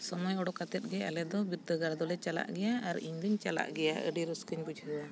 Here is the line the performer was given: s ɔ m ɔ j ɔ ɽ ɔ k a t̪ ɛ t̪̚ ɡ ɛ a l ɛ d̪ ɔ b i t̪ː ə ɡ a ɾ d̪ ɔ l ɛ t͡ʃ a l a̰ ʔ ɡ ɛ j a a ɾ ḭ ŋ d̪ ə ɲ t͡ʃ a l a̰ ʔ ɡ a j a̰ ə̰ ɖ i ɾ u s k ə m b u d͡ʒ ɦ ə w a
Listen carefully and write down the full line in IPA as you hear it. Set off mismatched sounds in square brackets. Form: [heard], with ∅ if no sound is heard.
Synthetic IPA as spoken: s ɔ m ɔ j ɔ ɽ ɔ k a t̪ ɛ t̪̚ ɡ ɛ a l ɛ d̪ ɔ b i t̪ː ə ɡ a ɾ d̪ ɔ l ɛ t͡ʃ a l a̰ ʔ ɡ ɛ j a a ɾ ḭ [ɲ] d̪ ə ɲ t͡ʃ a l a̰ ʔ ɡ [ɛ] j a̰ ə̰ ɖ i ɾ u s k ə [ɲ] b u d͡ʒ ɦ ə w a